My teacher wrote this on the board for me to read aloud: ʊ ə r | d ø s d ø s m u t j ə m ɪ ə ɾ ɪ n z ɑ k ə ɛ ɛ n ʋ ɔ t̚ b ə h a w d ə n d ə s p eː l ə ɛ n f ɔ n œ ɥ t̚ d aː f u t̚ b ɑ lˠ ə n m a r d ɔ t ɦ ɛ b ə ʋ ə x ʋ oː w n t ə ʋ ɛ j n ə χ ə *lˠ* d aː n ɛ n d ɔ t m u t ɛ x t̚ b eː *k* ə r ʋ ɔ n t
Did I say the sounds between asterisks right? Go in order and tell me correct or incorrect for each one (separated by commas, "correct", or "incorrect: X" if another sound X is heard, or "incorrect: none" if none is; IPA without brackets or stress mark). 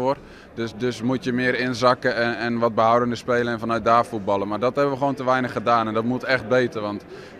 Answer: incorrect: none, incorrect: t